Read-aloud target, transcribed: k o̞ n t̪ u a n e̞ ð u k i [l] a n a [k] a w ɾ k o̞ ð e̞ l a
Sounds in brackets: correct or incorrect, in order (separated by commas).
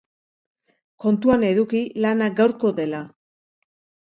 correct, incorrect